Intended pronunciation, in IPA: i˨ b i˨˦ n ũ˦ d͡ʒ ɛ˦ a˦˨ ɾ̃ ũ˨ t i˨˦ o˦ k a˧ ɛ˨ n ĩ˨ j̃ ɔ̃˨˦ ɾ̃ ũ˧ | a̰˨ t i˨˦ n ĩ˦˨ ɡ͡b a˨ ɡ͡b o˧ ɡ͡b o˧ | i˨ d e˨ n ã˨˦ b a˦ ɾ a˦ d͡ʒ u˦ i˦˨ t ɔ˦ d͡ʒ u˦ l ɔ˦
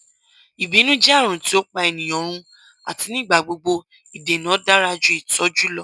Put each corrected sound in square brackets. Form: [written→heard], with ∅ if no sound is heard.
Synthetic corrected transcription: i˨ b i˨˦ n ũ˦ d͡ʒ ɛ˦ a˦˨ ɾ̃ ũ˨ t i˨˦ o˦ [k→k͡p] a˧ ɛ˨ n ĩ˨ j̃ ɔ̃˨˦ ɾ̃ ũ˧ | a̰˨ t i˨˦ n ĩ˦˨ ɡ͡b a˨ ɡ͡b o˧ ɡ͡b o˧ | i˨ d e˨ n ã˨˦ [b→d] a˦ ɾ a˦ d͡ʒ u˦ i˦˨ t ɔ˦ d͡ʒ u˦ l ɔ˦